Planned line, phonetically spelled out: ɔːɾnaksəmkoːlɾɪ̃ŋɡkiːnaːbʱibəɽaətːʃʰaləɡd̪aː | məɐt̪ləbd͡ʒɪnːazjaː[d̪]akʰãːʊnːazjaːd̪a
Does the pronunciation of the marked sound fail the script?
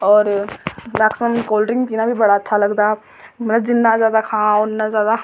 no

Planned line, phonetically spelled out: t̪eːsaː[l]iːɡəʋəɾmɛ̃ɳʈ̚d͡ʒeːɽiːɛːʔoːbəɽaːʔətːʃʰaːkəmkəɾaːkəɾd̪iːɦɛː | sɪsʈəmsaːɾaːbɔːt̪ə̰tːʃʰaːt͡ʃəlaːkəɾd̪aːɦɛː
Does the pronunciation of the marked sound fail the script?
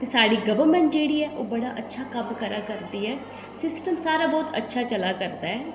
yes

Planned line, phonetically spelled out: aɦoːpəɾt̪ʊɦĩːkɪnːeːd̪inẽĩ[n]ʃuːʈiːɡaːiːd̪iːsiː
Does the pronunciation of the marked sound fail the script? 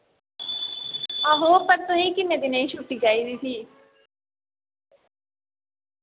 yes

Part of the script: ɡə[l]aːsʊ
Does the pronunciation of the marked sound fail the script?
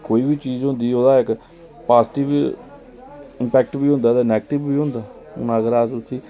yes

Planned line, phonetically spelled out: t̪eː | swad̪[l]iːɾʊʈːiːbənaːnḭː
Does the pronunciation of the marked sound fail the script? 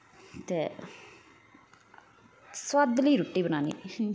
no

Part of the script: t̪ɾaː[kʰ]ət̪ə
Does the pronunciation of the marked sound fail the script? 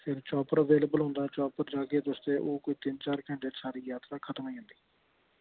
no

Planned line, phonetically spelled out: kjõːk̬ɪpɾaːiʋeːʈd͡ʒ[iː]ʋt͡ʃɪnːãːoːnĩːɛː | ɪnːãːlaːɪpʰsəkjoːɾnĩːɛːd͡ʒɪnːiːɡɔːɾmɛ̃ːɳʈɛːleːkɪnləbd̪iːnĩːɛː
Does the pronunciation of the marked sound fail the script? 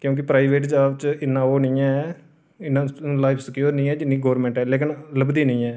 yes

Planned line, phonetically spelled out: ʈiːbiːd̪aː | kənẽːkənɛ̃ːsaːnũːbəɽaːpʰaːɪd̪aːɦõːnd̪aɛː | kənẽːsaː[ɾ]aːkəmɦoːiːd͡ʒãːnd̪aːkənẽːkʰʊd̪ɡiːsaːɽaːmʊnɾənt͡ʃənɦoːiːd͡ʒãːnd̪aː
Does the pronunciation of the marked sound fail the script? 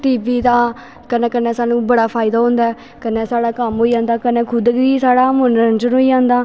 yes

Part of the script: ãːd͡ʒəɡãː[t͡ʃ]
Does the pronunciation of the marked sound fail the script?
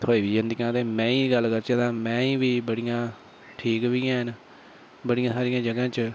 no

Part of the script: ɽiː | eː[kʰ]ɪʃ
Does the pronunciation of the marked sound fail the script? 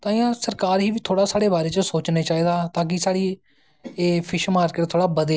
yes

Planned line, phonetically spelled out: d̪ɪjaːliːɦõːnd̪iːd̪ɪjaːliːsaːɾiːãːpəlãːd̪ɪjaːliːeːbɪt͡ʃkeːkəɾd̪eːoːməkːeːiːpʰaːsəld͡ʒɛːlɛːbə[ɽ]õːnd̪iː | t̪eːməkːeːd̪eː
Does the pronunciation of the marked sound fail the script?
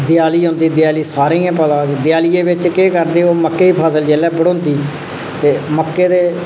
no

